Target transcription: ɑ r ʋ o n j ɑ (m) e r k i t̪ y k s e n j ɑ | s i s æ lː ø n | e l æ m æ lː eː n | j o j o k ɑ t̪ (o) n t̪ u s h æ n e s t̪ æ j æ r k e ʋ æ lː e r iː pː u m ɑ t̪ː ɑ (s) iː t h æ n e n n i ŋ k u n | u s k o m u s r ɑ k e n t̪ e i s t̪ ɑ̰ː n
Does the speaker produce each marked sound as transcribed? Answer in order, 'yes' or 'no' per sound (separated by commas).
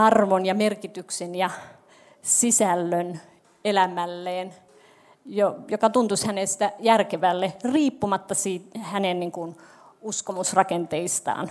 yes, no, yes